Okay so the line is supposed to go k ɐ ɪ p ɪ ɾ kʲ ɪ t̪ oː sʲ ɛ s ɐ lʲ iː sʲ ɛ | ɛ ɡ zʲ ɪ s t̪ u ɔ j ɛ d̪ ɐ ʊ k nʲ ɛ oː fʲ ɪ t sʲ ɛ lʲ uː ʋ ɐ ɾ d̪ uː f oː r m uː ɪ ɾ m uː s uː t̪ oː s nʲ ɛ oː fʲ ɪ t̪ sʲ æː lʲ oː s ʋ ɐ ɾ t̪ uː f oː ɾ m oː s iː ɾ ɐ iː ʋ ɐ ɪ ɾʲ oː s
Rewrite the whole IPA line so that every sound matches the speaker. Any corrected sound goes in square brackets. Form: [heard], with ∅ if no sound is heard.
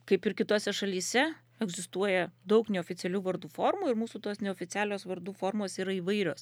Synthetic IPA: k ɐ ɪ p ɪ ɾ kʲ ɪ t̪ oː sʲ ɛ [ʃ] ɐ lʲ iː sʲ ɛ | ɛ ɡ zʲ ɪ s t̪ u ɔ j ɛ d̪ ɐ ʊ k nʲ ɛ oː fʲ ɪ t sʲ ɛ lʲ uː ʋ ɐ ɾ d̪ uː f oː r m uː ɪ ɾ m uː s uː t̪ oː s nʲ ɛ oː fʲ ɪ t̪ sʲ æː lʲ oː s ʋ ɐ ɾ [d̪] uː f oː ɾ m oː s iː ɾ ɐ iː ʋ ɐ ɪ ɾʲ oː s